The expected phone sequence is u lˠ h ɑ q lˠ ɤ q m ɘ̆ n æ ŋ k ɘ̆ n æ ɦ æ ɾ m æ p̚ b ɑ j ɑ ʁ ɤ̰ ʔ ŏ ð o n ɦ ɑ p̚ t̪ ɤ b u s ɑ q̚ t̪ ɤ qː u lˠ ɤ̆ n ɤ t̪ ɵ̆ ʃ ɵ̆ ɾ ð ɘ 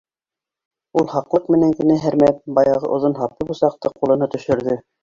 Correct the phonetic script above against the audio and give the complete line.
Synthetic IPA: u lˠ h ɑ q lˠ ɤ q m ɘ̆ n æ ŋ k ɘ̆ n æ ɦ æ ɾ m æ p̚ b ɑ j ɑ ʁ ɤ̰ ʔ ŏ ð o n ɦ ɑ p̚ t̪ ɤ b u s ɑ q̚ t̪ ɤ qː u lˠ ɤ̆ n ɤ t̪ ɵ̆ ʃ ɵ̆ ɾ ð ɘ